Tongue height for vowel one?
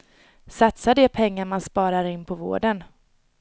low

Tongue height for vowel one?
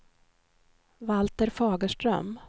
low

